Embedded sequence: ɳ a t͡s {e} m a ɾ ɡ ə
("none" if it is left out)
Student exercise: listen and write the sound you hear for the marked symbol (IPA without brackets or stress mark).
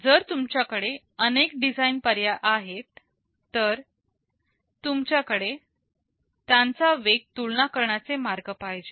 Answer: e